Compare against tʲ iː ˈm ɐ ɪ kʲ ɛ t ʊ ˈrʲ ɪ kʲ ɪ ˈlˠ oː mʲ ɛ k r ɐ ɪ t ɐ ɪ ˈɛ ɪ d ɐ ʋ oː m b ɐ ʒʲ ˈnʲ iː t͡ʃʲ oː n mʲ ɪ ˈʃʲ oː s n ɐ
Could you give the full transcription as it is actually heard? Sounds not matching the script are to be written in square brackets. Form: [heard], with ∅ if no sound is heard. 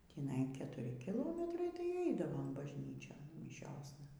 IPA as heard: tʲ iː [ˈn] ɐ ɪ kʲ ɛ t ʊ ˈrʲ ɪ kʲ ɪ ˈlˠ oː mʲ ɛ [t] r ɐ ɪ t ɐ ɪ ˈɛ ɪ d ɐ ʋ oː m b ɐ ʒʲ ˈnʲ iː t͡ʃʲ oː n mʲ ɪ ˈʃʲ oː s n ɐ